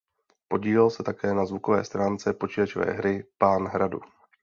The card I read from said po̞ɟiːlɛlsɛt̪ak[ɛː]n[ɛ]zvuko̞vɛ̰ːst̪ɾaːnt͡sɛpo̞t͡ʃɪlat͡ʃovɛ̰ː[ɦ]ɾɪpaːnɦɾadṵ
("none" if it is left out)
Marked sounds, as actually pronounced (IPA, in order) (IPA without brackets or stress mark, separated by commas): ɛː, a, ɦ